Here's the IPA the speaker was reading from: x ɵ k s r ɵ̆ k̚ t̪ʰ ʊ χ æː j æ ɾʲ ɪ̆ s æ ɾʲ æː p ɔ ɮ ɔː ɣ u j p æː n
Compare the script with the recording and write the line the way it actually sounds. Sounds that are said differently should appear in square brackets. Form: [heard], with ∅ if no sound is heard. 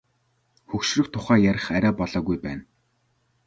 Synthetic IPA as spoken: x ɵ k [ʃ] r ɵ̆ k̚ t̪ʰ ʊ χ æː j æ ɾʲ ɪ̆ [χ] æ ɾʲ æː p ɔ ɮ ɔː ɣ u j p æː n